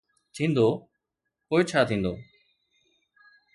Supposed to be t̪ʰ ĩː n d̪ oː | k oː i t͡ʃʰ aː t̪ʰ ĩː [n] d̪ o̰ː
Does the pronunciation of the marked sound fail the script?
no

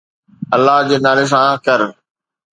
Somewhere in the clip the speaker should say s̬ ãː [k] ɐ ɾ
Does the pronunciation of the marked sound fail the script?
no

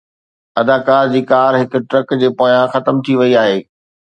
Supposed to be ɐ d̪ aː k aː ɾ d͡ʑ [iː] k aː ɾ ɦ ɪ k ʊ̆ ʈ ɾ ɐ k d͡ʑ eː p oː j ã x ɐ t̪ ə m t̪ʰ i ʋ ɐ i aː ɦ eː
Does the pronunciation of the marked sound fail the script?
no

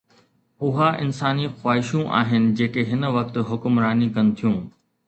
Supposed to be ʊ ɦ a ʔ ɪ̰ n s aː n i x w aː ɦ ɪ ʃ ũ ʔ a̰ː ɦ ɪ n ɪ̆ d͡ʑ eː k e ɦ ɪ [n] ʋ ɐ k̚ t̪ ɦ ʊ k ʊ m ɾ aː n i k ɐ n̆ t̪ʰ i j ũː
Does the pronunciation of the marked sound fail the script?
no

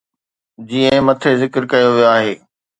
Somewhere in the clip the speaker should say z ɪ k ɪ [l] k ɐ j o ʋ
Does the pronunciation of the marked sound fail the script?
yes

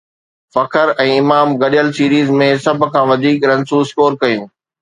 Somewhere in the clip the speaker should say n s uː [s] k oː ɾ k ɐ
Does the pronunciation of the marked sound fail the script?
no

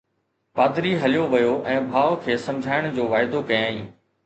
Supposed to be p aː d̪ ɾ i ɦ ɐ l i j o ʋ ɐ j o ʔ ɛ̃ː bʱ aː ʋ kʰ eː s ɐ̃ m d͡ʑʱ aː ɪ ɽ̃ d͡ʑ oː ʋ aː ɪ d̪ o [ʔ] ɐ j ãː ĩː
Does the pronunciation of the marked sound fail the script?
yes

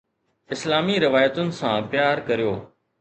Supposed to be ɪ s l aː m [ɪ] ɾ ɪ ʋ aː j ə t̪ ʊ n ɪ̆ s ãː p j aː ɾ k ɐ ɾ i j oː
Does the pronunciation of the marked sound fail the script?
yes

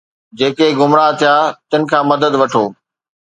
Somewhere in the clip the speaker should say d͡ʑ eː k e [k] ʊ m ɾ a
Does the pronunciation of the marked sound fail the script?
yes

